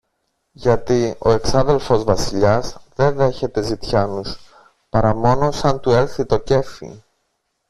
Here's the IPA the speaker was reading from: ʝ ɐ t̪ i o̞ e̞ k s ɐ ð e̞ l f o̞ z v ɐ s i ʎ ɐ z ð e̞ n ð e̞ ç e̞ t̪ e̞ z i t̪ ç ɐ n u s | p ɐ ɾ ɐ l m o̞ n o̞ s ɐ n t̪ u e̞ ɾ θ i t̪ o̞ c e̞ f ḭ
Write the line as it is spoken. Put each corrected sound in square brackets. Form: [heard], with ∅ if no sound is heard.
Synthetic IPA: ʝ ɐ t̪ i o̞ e̞ k s ɐ ð e̞ l f o̞ z v ɐ s i ʎ ɐ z ð e̞ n ð e̞ ç e̞ t̪ e̞ z i t̪ ç ɐ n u s | p ɐ ɾ ɐ [∅] m o̞ n o̞ s ɐ n t̪ u e̞ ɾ θ i t̪ o̞ c e̞ f ḭ